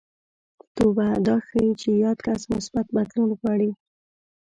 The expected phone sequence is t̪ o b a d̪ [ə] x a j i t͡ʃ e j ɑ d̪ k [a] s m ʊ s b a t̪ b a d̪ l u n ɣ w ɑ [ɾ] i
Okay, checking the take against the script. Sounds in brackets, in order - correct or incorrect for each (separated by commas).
incorrect, correct, incorrect